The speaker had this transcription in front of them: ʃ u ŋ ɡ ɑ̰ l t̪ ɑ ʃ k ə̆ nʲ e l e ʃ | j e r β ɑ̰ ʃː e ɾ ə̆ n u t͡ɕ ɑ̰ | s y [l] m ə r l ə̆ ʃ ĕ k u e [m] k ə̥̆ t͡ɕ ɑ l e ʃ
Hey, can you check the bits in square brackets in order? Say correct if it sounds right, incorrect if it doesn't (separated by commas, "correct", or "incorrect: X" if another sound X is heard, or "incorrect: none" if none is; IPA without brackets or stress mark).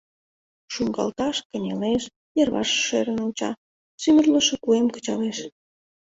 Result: incorrect: none, correct